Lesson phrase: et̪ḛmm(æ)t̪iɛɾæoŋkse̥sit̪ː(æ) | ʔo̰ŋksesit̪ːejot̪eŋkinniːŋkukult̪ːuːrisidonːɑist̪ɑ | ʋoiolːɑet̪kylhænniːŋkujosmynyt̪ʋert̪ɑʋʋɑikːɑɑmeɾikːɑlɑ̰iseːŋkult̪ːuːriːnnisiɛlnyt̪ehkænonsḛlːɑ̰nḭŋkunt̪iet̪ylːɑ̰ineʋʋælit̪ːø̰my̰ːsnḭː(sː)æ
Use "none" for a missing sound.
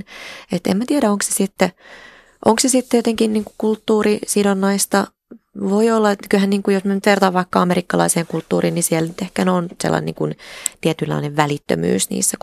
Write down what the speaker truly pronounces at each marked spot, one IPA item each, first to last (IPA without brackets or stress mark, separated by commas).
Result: æ, e, sː